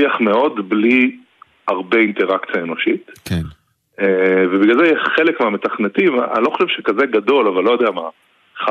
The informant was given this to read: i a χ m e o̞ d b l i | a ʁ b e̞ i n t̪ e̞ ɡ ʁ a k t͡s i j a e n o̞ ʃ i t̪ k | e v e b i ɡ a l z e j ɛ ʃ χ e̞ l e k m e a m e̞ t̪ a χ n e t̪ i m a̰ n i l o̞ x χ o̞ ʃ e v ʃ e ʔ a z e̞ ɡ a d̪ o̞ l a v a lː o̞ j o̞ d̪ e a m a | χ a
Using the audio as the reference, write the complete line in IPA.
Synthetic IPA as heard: i a χ m e o̞ d b l i | a ʁ b e̞ i n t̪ e̞ ʁ a k t͡s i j a e n o̞ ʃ i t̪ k | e v e b i ɡ a l z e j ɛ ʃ χ e̞ l e k m e a m e̞ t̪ a χ n e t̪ i m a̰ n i l o̞ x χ o̞ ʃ e v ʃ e k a z e̞ ɡ a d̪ o̞ l a v a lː o̞ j o̞ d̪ e a m a | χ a